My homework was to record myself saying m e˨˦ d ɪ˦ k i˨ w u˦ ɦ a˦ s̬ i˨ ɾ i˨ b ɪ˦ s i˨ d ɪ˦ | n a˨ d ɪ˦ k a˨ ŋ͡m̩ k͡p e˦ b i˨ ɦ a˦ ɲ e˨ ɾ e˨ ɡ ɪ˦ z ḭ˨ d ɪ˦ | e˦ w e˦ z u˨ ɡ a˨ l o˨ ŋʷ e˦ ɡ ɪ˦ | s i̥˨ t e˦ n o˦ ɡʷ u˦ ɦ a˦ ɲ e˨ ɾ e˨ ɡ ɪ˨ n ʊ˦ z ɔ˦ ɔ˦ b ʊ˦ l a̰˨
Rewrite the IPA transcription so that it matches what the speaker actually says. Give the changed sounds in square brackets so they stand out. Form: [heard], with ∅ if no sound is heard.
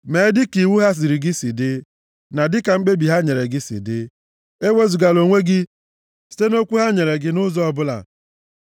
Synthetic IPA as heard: m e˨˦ d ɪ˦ k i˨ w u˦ ɦ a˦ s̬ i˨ ɾ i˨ [ɡ] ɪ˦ s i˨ d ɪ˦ | n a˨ d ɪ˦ k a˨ ŋ͡m̩ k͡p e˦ b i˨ ɦ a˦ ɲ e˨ ɾ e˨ ɡ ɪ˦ [s] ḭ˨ d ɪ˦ | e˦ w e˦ z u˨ ɡ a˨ l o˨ ŋʷ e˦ ɡ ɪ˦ | s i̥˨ t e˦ n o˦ [kʷ] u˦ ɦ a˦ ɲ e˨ ɾ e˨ ɡ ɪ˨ n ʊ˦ z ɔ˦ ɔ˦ b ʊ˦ l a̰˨